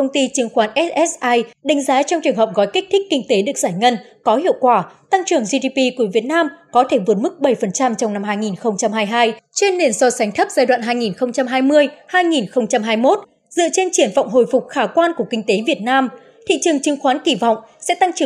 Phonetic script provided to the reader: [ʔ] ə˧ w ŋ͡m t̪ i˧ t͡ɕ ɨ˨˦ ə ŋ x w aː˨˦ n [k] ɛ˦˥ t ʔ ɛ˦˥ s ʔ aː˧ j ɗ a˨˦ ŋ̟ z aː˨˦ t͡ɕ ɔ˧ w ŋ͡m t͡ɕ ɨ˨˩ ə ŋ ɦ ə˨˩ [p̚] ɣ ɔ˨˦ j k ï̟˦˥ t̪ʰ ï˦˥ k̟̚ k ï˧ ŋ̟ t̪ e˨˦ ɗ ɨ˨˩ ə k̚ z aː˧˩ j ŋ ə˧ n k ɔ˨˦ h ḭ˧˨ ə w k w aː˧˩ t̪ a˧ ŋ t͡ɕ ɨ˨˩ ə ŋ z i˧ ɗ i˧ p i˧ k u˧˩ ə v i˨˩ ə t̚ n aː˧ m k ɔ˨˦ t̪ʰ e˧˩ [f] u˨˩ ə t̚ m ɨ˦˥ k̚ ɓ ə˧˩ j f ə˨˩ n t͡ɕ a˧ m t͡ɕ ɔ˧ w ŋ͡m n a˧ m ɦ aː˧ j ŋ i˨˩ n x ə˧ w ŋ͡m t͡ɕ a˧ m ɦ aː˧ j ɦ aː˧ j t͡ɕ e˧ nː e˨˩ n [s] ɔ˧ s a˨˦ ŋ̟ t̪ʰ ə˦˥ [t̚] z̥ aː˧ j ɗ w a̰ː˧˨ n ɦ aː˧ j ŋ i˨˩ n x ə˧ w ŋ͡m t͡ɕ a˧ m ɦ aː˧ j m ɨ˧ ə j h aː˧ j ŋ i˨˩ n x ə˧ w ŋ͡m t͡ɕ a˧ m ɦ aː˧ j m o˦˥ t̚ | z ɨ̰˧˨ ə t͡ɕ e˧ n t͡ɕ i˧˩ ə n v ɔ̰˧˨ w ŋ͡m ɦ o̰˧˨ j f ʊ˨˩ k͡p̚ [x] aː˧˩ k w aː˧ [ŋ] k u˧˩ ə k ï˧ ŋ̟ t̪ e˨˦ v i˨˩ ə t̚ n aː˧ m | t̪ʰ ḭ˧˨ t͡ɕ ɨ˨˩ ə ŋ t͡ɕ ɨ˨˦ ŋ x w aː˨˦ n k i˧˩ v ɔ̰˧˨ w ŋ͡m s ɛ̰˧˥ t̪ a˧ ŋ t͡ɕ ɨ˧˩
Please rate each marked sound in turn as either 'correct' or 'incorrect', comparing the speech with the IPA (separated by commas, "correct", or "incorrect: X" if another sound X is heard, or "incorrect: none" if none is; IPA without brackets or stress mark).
incorrect: k, incorrect: ʔ, correct, incorrect: v, correct, incorrect: p̚, correct, incorrect: n